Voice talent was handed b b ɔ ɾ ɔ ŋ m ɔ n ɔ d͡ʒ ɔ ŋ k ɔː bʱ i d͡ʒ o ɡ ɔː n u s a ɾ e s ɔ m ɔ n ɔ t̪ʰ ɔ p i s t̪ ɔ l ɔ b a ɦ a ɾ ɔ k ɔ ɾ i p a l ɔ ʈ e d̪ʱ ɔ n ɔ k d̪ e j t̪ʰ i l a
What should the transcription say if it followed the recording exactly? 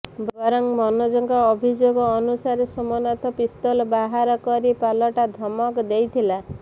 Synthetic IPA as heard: b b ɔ ɾ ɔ ŋ m ɔ n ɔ d͡ʒ ɔ ŋ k ɔː bʱ i d͡ʒ o ɡ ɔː n u s a ɾ e s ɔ m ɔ n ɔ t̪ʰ ɔ p i s t̪ ɔ l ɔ b a ɦ a ɾ ɔ k ɔ ɾ i p a l ɔ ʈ a d̪ʱ ɔ m ɔ k d̪ e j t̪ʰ i l a